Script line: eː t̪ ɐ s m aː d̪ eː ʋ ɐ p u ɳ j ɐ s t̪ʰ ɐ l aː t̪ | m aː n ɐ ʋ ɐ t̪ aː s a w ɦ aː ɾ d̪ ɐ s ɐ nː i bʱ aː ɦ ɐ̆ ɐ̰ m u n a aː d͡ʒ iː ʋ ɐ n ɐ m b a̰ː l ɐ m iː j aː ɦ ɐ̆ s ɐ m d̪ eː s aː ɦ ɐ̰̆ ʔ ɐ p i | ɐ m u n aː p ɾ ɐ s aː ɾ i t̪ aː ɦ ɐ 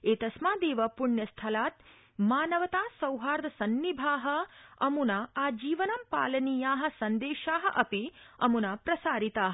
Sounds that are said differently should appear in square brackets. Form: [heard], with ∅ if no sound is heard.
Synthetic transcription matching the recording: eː t̪ ɐ s m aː d̪ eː ʋ ɐ p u ɳ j ɐ s t̪ʰ ɐ l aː t̪ | m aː n ɐ ʋ ɐ t̪ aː s [ɐ] w ɦ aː ɾ d̪ ɐ s ɐ nː i bʱ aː ɦ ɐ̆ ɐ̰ m u n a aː d͡ʒ iː ʋ ɐ n ɐ m [p] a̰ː l ɐ [n] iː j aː ɦ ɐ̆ s ɐ [n] d̪ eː [ʃ] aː ɦ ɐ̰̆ ʔ ɐ p i | ɐ m u n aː p ɾ ɐ s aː ɾ i t̪ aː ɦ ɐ